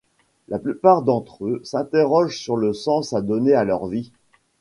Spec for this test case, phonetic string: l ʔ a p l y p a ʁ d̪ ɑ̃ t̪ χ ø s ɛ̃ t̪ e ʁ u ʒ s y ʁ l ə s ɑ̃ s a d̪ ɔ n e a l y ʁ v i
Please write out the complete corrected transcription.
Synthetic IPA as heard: l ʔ a p l y p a ʁ d̪ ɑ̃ t̪ χ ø s ɛ̃ t̪ e ʁ ɔ ʒ s y ʁ l ə s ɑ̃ s a d̪ ɔ n e a l œ ʁ v i